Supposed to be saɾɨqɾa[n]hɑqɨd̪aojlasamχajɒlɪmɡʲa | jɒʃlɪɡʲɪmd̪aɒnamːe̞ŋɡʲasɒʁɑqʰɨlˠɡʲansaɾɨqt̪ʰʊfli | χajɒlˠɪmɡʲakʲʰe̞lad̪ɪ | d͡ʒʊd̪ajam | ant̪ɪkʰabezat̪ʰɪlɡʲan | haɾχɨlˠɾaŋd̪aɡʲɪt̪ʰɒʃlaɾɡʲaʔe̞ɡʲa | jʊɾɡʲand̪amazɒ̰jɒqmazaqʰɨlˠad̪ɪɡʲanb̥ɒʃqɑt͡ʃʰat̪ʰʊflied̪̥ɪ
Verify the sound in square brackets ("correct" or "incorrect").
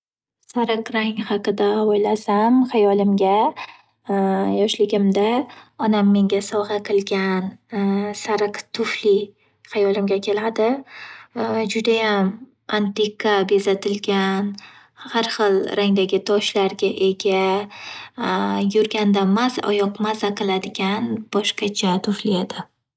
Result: incorrect